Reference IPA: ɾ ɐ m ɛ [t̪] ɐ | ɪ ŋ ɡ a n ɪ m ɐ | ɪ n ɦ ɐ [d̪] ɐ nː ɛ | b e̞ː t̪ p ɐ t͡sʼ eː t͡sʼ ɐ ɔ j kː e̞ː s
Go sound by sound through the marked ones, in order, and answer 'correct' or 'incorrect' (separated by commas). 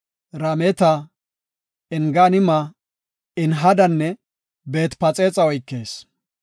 correct, correct